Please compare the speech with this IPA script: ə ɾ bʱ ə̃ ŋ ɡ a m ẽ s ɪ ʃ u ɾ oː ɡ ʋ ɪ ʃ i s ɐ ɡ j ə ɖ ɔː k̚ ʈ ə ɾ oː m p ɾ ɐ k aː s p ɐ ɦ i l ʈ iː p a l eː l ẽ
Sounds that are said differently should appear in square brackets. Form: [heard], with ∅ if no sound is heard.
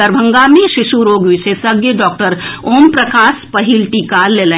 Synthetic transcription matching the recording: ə ɾ bʱ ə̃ ŋ ɡ a m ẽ [ʃ] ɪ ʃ u ɾ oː ɡ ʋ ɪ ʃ [e] s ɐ ɡ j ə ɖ ɔː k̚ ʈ ə ɾ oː m p ɾ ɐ k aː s p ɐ ɦ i l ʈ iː [k] a l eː l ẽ